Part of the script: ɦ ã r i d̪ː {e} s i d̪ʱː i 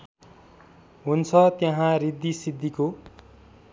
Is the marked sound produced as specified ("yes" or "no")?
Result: no